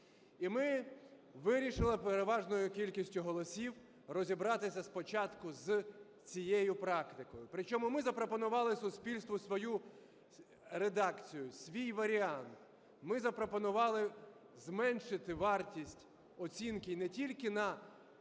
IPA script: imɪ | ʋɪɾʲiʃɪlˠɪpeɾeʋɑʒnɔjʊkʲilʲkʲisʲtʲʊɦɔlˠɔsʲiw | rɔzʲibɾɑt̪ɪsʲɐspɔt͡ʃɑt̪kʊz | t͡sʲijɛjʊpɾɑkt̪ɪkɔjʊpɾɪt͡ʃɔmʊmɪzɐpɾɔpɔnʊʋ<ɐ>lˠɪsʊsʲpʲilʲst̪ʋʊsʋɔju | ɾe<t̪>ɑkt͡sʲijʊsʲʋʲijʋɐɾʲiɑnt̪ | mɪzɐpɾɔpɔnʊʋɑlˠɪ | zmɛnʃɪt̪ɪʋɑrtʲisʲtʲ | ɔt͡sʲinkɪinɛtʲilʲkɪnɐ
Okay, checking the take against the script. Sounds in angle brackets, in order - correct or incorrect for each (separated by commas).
incorrect, incorrect